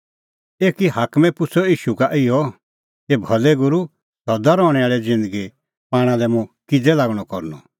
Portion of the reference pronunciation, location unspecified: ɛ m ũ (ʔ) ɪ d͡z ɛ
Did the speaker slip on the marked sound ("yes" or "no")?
yes